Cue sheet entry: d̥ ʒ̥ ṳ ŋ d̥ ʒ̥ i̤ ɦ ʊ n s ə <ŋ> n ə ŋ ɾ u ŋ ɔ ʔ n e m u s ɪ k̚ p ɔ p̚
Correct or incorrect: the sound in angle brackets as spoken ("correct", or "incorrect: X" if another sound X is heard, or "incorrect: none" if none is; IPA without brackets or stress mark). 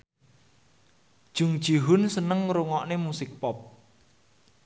incorrect: none